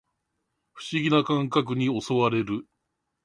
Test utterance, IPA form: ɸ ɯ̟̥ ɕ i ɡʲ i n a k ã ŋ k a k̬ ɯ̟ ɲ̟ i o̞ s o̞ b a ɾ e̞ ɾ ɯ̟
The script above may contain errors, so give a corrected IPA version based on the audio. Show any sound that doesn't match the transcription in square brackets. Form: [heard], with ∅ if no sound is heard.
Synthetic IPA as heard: ɸ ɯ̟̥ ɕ i ɡʲ i n a k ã ŋ k a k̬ ɯ̟ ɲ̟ i o̞ s o̞ [β] a ɾ e̞ ɾ ɯ̟